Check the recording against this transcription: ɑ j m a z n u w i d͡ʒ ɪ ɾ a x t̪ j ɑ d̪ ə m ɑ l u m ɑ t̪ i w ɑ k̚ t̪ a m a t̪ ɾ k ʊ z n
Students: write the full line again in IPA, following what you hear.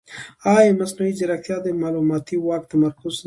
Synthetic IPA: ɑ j m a s n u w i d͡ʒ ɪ ɾ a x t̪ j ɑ d̪ ə m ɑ l u m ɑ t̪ i w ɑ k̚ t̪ a m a ɾ k ʊ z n